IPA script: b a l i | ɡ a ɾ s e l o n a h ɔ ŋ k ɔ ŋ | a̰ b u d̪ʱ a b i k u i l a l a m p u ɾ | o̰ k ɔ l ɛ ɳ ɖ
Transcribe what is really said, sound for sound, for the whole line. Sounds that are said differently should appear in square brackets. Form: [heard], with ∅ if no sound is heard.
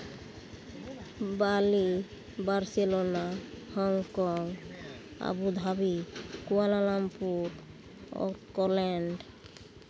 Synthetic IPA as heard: b a l i | [b] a ɾ s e l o n a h ɔ ŋ k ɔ ŋ | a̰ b u d̪ʱ a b i k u [a] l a l a m p u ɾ | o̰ k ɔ l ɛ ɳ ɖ